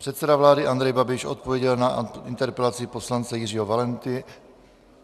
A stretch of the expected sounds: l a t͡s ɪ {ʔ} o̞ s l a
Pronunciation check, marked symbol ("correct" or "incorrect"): incorrect